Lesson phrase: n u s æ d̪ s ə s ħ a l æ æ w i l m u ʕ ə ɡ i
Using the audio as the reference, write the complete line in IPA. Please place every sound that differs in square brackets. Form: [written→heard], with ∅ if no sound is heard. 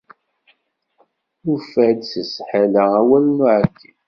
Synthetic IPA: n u [s→f] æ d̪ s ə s ħ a l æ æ w [i→æ] l [m→n] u ʕ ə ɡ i